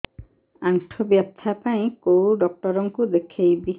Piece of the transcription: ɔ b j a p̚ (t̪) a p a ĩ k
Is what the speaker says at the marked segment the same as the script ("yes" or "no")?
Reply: no